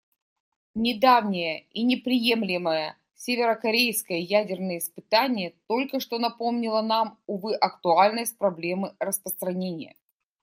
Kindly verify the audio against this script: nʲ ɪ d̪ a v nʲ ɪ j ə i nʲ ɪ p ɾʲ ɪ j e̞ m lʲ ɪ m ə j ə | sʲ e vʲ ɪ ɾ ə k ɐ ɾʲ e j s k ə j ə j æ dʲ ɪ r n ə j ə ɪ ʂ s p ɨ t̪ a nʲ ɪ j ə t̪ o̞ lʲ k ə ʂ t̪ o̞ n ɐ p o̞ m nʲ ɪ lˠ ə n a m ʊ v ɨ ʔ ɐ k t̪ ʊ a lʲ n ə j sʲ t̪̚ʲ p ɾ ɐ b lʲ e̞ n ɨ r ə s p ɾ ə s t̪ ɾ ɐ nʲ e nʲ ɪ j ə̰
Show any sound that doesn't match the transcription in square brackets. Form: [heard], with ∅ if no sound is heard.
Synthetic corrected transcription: nʲ ɪ d̪ a v nʲ ɪ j ə i nʲ ɪ p ɾʲ ɪ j e̞ m lʲ ɪ m ə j ə | sʲ e vʲ ɪ ɾ ə k ɐ ɾʲ e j s k ə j ə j æ dʲ ɪ r n ə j ə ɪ [∅] s p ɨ t̪ a nʲ ɪ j ə t̪ o̞ lʲ k ə ʂ t̪ o̞ n ɐ p o̞ m nʲ ɪ lˠ ə n a m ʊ v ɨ ʔ ɐ k t̪ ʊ a lʲ n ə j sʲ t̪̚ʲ p ɾ ɐ b lʲ e̞ [m] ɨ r ə s p ɾ ə s t̪ ɾ ɐ nʲ e nʲ ɪ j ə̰